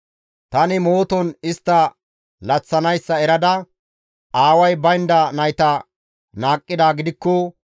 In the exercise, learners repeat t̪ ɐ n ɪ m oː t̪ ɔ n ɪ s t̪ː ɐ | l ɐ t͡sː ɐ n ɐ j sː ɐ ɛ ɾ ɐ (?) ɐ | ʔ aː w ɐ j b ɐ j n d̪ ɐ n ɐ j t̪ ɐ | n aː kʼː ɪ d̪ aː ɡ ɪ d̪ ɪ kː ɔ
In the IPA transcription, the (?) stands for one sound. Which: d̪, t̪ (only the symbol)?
d̪